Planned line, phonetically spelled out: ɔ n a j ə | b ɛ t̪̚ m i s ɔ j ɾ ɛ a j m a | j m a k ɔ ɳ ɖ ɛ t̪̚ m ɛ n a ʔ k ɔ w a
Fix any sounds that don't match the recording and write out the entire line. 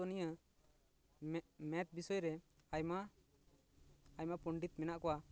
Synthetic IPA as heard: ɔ n i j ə | m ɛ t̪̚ b i s ɔ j ɾ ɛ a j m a | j m a p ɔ ɳ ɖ i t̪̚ m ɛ n a ʔ k ɔ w a